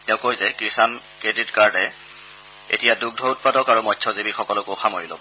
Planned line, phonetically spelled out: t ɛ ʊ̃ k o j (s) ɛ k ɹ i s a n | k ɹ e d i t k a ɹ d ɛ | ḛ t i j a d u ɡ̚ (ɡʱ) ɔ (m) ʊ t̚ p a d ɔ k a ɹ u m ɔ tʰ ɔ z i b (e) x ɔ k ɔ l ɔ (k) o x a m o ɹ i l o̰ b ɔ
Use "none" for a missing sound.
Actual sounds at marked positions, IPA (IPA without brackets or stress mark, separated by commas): z, dʱ, none, i, k